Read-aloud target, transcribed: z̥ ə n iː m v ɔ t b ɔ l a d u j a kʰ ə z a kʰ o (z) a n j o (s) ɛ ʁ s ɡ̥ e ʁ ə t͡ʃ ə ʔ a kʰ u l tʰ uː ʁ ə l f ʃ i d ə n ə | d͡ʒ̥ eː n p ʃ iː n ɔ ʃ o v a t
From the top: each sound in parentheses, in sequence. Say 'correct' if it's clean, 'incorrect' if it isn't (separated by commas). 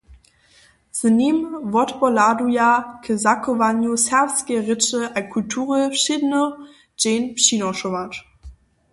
incorrect, correct